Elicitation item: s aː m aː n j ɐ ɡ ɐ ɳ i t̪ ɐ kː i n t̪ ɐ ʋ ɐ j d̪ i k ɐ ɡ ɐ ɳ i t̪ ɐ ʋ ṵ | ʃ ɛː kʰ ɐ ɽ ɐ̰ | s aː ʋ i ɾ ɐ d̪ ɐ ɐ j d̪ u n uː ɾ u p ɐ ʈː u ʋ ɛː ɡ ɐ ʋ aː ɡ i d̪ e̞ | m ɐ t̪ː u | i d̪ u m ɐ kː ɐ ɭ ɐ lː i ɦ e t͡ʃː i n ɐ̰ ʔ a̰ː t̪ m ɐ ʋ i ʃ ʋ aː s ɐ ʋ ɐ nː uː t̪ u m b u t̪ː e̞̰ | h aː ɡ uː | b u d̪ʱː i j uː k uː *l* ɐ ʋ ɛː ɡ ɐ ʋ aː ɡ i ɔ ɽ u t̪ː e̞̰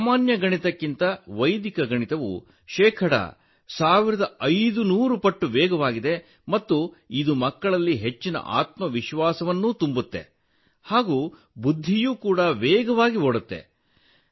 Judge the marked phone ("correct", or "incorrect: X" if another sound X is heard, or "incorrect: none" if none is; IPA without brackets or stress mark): incorrect: ɽ